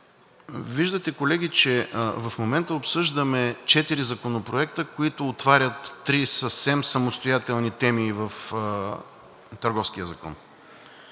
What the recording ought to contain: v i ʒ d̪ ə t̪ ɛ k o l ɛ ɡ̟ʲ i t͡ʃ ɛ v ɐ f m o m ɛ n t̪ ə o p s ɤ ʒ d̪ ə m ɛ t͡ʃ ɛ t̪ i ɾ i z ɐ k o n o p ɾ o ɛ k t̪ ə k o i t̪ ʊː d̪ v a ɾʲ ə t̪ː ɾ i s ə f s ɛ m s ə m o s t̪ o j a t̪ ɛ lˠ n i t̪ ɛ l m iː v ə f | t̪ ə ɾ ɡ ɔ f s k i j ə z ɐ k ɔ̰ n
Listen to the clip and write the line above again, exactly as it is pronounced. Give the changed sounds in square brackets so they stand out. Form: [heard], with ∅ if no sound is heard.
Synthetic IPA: v i ʒ d̪ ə t̪ ɛ k o l ɛ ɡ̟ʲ i t͡ʃ ɛ v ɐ f m o m ɛ n t̪ ə o p s ɤ ʒ d̪ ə m ɛ t͡ʃ ɛ t̪ i ɾ i z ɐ k o n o p ɾ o ɛ k t̪ ə k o i t̪ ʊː [t̪] v a ɾʲ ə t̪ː ɾ i s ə f s ɛ m s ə m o s t̪ o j a t̪ ɛ lˠ n i t̪ ɛ [∅] m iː v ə f | t̪ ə ɾ ɡ ɔ f s k i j ə z ɐ k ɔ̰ n